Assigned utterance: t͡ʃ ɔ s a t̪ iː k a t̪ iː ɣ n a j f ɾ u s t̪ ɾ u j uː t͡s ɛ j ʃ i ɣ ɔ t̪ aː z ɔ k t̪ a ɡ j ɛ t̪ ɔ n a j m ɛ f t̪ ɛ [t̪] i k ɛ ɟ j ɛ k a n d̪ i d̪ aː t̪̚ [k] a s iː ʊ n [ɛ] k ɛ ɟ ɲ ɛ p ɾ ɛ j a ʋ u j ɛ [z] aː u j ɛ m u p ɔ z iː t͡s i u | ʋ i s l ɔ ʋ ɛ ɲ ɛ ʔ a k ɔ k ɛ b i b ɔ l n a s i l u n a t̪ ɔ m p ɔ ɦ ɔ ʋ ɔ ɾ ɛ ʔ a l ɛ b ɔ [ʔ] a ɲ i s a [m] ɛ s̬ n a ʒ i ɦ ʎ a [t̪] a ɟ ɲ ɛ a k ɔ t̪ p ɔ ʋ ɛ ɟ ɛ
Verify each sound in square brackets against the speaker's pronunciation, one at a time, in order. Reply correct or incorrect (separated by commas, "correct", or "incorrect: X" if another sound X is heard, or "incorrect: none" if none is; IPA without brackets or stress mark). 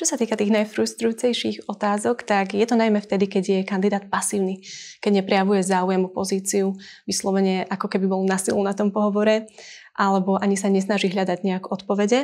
incorrect: d̪, incorrect: p, incorrect: i, correct, correct, incorrect: ɲ, incorrect: d̪